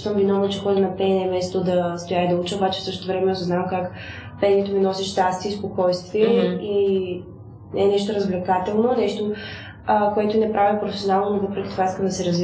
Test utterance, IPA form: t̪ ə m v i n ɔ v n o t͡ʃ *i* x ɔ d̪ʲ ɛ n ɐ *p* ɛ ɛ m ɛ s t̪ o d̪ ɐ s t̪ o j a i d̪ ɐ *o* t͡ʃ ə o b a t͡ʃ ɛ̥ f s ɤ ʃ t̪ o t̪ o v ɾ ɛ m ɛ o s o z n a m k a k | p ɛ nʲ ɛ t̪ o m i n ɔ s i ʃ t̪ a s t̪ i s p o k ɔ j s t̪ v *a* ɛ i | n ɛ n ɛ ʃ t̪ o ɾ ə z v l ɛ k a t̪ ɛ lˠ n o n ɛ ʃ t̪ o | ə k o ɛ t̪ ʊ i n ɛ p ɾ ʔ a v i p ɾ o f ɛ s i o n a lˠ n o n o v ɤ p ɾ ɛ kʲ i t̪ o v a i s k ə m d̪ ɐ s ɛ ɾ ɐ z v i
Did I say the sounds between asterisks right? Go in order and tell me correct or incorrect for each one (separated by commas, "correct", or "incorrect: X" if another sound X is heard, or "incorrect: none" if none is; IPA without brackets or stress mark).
incorrect: ɛ, correct, incorrect: u, incorrect: i